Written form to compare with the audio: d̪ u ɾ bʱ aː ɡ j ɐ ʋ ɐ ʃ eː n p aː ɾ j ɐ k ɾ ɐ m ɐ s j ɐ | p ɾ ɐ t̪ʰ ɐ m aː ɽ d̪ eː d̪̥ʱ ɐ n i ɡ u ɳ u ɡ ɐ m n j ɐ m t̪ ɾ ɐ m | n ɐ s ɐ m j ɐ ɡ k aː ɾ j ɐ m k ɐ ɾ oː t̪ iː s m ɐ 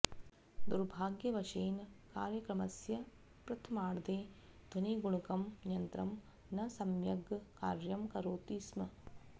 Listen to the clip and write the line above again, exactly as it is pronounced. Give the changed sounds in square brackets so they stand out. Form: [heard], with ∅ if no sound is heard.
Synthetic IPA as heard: d̪ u ɾ bʱ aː ɡ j ɐ ʋ ɐ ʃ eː n [k] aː ɾ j ɐ k ɾ ɐ m ɐ s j ɐ | p ɾ ɐ t̪ʰ ɐ m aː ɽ d̪ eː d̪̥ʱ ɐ n i ɡ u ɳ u [k] ɐ m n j ɐ [n] t̪ ɾ ɐ m | n ɐ s ɐ m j ɐ ɡ k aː ɾ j ɐ m k ɐ ɾ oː t̪ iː s m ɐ